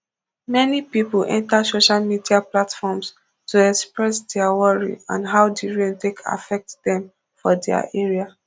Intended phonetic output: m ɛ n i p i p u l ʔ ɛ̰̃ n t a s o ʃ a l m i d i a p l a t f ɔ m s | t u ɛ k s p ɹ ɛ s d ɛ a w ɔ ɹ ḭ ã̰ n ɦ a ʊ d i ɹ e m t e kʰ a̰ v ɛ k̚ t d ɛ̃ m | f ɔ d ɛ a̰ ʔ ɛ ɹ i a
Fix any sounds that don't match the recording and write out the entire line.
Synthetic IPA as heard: m ɛ n i p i p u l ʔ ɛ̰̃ n t a s o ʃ a l m i d i a p l a t f ɔ m s | t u ɛ k s p ɹ ɛ s d ɛ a w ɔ ɹ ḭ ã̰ n ɦ a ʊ d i ɹ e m t e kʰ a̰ f ɛ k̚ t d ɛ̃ m | f ɔ d ɛ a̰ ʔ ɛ ɹ i a